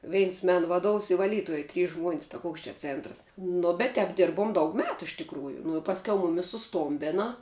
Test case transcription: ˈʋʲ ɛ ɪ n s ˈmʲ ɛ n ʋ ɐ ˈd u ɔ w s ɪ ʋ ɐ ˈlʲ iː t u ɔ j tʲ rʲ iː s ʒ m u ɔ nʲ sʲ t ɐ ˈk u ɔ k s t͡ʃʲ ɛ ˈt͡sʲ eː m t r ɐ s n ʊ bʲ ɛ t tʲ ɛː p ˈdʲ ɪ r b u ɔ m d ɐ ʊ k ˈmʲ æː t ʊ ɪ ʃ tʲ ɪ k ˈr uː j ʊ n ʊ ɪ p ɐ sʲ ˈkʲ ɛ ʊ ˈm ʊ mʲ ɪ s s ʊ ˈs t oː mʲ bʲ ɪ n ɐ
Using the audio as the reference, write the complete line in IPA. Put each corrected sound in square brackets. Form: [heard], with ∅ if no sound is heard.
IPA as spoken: ˈʋʲ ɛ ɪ n s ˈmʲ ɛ n ʋ ɐ ˈd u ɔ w s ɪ ʋ ɐ ˈlʲ iː t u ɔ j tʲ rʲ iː s ʒ m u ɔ nʲ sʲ t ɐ ˈk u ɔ k s t͡ʃʲ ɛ ˈt͡sʲ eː [n] t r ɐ s n ʊ bʲ ɛ t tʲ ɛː p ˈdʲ ɪ r b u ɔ m d ɐ ʊ k ˈmʲ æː t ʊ ɪ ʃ tʲ ɪ k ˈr uː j ʊ n ʊ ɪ p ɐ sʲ ˈkʲ ɛ ʊ ˈm ʊ mʲ ɪ s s ʊ ˈs t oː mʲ bʲ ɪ n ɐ

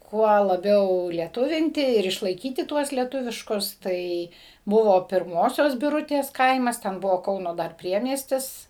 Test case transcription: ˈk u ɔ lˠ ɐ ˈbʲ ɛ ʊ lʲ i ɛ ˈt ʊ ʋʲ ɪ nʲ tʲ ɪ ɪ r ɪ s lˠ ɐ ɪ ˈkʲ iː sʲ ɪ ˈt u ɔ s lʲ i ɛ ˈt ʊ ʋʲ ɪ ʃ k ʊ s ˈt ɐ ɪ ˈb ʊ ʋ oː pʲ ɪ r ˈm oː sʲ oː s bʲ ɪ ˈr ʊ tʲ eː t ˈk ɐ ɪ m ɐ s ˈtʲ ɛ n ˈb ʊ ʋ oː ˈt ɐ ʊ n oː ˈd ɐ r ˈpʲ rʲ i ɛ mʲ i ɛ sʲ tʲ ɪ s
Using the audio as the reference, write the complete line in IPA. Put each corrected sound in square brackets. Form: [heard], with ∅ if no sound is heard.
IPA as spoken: ˈk u ɔ lˠ ɐ ˈbʲ ɛ ʊ lʲ i ɛ ˈt ʊ ʋʲ ɪ nʲ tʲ ɪ ɪ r ɪ [ʃ] lˠ ɐ ɪ ˈkʲ iː [tʲ] ɪ ˈt u ɔ s lʲ i ɛ ˈt ʊ ʋʲ ɪ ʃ k ʊ s ˈt ɐ ɪ ˈb ʊ ʋ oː pʲ ɪ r ˈm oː sʲ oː s bʲ ɪ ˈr ʊ tʲ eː [s] ˈk ɐ ɪ m ɐ s ˈtʲ ɛ n ˈb ʊ ʋ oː [ˈk] ɐ ʊ n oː ˈd ɐ r ˈpʲ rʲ i ɛ mʲ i ɛ sʲ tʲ ɪ s

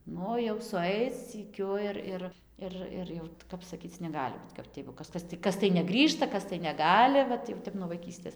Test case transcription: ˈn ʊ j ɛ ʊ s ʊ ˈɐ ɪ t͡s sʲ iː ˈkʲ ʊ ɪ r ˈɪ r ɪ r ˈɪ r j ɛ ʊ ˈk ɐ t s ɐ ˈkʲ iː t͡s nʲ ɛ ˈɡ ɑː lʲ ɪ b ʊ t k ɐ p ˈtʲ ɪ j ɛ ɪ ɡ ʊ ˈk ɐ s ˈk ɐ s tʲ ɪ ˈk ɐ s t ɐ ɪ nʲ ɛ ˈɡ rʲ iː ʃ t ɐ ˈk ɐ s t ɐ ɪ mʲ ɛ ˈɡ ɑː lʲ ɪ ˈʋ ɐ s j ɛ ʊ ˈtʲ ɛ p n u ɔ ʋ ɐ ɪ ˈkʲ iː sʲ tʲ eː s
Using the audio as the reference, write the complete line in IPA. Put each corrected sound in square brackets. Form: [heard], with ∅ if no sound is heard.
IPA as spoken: ˈn ʊ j ɛ ʊ s ʊ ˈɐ ɪ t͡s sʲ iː ˈkʲ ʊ ɪ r ˈɪ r ɪ r ˈɪ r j ɛ ʊ ˈk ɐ [p] s ɐ ˈkʲ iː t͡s nʲ ɛ ˈɡ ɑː lʲ ɪ b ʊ t k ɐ p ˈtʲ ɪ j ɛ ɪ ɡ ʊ ˈk ɐ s ˈk ɐ s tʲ ɪ ˈk ɐ s t ɐ ɪ nʲ ɛ ˈɡ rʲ iː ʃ t ɐ ˈk ɐ s t ɐ ɪ [nʲ] ɛ ˈɡ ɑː lʲ ɪ ˈʋ ɐ [t] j ɛ ʊ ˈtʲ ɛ p n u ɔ ʋ ɐ ɪ ˈkʲ iː sʲ tʲ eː s

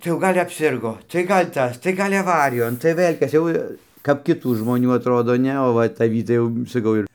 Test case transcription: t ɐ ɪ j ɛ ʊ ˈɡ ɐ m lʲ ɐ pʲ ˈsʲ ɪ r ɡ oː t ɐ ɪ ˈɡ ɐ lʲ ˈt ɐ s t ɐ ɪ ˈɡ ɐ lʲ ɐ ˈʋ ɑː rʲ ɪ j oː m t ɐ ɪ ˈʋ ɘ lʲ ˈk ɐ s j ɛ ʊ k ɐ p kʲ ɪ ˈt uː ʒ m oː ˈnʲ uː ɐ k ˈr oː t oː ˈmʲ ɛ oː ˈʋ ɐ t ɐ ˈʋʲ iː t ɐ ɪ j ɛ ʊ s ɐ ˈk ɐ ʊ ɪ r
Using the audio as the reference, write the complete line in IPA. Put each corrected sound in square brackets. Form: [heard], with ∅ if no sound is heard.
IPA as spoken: t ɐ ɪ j ɛ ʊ ˈɡ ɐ [∅] lʲ ɐ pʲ ˈsʲ ɪ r ɡ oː t ɐ ɪ ˈɡ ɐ lʲ ˈt ɐ s t ɐ ɪ ˈɡ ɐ lʲ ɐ ˈʋ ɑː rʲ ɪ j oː [n] t ɐ ɪ ˈʋ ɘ lʲ ˈk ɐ s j ɛ ʊ k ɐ p kʲ ɪ ˈt uː ʒ m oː ˈnʲ uː ɐ [t] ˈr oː [d] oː [ˈnʲ] ɛ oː ˈʋ ɐ t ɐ ˈʋʲ iː t ɐ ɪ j ɛ ʊ s ɐ ˈk ɐ ʊ ɪ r

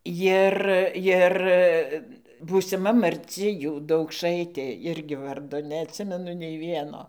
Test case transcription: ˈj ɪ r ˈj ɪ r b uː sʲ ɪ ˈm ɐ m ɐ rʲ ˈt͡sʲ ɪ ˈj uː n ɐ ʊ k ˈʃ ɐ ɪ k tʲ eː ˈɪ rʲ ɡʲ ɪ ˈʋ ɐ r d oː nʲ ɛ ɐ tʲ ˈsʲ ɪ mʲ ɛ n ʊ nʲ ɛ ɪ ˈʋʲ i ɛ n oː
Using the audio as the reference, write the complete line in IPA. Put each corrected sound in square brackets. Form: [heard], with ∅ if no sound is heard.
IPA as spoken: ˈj ɪ r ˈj ɪ r b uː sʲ ɪ ˈm ɐ m ɐ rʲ ˈt͡sʲ ɪ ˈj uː [d] ɐ ʊ k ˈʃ ɐ ɪ [∅] tʲ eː ˈɪ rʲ ɡʲ ɪ ˈʋ ɐ r d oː nʲ ɛ ɐ tʲ ˈsʲ ɪ mʲ ɛ n ʊ nʲ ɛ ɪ ˈʋʲ i ɛ n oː

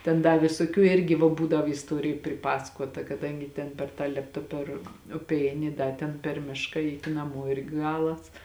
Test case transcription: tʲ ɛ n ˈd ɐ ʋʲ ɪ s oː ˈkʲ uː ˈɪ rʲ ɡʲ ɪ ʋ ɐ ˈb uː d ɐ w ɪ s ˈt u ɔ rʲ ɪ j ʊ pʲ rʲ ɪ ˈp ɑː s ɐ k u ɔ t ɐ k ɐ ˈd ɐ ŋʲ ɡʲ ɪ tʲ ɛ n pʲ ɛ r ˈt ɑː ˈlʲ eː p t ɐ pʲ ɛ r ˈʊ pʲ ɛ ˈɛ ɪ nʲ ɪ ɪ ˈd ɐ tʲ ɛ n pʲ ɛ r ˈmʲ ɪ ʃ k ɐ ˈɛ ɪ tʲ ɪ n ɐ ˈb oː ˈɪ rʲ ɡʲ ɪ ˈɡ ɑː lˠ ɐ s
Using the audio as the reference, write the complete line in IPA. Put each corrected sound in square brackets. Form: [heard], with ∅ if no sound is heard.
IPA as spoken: tʲ ɛ n ˈd ɐ ʋʲ ɪ s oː ˈkʲ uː ˈɪ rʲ ɡʲ ɪ ʋ ɐ ˈb uː d ɐ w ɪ s ˈt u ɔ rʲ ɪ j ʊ pʲ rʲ ɪ ˈp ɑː s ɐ k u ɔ t ɐ k ɐ ˈd ɐ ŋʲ ɡʲ ɪ tʲ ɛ n pʲ ɛ r ˈt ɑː ˈlʲ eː p t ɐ pʲ ɛ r ˈʊ pʲ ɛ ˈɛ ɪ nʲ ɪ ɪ ˈd ɐ tʲ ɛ n pʲ ɛ r ˈmʲ ɪ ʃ k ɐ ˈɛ ɪ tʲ ɪ n ɐ [ˈm] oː ˈɪ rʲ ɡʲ ɪ ˈɡ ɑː lˠ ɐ s

